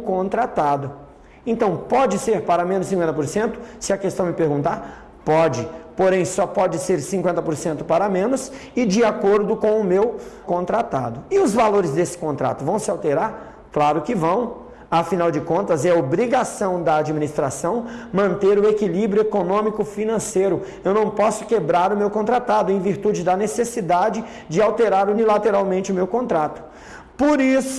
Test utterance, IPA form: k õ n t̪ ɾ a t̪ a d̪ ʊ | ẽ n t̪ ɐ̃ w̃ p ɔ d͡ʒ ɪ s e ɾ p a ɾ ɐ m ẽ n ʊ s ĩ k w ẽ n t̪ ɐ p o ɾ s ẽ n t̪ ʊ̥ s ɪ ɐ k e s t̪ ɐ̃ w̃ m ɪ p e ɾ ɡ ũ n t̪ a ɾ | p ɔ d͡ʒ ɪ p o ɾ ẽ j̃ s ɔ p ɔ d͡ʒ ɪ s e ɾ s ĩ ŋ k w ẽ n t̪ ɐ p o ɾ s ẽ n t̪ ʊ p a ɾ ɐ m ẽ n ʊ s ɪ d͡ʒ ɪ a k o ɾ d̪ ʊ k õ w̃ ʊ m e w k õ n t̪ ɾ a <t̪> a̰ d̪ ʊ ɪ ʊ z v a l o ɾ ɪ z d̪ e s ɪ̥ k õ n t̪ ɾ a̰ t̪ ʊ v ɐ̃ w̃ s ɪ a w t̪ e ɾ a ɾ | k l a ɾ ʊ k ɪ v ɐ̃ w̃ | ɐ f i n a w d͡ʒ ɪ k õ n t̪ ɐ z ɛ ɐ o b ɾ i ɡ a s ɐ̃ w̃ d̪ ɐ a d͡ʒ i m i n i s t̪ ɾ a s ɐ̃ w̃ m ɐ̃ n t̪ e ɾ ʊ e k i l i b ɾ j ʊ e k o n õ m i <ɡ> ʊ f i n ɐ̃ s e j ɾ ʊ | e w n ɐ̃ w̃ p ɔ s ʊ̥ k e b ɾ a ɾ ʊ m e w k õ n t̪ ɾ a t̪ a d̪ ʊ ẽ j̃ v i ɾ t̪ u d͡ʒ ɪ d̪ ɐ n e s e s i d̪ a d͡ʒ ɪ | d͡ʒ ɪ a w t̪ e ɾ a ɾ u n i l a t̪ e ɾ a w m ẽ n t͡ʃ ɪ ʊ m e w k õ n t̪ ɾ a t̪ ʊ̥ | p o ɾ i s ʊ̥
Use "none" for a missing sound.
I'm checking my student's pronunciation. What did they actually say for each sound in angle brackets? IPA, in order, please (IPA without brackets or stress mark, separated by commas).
t̪, k